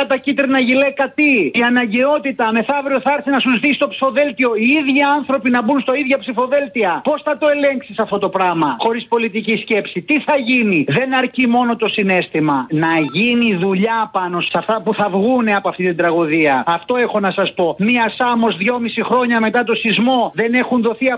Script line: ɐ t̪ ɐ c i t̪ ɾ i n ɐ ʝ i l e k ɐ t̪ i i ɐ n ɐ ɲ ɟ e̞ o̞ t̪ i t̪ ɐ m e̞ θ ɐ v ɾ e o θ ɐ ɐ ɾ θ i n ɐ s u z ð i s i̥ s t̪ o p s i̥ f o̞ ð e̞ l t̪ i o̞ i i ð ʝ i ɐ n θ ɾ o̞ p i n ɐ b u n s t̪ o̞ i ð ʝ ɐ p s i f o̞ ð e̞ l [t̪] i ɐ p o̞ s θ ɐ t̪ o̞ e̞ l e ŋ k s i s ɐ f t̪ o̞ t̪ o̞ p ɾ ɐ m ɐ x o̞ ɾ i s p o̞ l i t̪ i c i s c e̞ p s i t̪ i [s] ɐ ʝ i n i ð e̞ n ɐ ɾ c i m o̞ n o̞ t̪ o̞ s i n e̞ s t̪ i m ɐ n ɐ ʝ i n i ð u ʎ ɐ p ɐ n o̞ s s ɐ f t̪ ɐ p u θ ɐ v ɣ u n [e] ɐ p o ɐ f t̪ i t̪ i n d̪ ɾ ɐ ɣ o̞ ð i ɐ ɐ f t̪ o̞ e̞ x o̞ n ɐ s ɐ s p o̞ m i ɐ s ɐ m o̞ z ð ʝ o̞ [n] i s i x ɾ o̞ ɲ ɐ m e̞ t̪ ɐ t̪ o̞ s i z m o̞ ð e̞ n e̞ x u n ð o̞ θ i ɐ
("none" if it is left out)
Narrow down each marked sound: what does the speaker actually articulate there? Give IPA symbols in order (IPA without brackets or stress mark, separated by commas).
t̪, θ, e, m